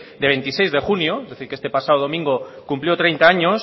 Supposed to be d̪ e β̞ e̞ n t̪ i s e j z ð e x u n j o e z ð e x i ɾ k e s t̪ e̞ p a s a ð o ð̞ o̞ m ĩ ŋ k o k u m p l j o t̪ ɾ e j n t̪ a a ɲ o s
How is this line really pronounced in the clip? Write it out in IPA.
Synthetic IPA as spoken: d̪ e β̞ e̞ n t̪ i s e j z ð e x u n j o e z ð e θ i ɾ k e s t̪ e̞ p a s a ð o ð̞ o̞ m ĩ ŋ ɡ o k u m p l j o t̪ ɾ e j n t̪ a a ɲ o s